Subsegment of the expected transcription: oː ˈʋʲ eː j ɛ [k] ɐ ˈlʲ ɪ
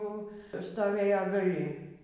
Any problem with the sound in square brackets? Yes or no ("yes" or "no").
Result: yes